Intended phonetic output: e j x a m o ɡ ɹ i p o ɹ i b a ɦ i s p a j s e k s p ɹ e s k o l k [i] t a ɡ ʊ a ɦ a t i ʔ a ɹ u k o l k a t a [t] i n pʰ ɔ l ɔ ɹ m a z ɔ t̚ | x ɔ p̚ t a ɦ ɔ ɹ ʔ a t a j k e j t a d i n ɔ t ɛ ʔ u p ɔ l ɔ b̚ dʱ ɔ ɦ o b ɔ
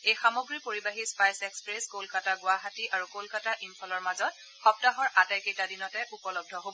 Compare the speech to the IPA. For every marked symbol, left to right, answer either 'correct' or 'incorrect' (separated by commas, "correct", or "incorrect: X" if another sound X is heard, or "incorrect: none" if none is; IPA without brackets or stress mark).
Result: incorrect: a, incorrect: ʔ